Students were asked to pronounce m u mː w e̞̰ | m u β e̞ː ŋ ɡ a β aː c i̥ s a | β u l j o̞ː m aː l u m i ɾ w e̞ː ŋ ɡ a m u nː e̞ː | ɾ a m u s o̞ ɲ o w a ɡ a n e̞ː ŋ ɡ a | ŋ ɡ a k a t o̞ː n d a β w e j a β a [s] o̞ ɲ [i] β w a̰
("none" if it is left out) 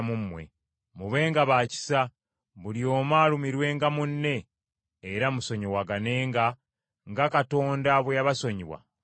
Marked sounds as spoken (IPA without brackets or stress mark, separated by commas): s, i